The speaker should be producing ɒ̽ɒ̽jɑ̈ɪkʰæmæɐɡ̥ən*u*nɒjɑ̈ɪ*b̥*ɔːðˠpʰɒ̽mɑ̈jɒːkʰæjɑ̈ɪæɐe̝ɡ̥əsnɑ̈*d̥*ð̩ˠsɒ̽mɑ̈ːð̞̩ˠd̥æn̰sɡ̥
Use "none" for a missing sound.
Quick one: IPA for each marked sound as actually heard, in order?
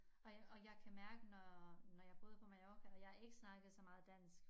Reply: ɒ, b̥, ɡ̥

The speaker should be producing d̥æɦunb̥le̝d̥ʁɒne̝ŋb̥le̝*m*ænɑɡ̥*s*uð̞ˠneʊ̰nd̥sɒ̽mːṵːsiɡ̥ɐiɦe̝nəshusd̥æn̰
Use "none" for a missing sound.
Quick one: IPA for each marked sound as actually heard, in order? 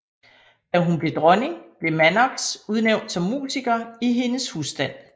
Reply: m, s

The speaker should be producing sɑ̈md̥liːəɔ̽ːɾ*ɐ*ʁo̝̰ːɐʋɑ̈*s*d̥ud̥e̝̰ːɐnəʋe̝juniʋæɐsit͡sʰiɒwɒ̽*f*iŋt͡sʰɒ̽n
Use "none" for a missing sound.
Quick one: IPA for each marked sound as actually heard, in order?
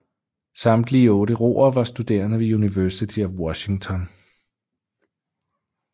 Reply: ə, s, ɕ

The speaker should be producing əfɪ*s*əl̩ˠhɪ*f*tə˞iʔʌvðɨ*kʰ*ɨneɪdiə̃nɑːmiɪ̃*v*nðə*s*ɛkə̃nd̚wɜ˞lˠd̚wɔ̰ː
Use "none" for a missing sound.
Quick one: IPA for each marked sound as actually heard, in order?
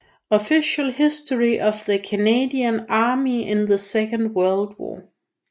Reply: ʃ, s, kʰ, none, s

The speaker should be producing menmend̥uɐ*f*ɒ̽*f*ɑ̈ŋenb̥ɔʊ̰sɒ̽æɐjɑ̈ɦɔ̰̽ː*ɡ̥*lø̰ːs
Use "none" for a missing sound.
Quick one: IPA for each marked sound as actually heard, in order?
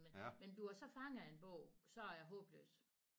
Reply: s, f, b̥

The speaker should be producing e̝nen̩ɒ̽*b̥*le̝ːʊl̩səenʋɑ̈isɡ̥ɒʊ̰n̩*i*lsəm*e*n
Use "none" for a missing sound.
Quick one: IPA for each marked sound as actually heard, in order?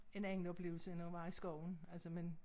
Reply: b̥, æ, e

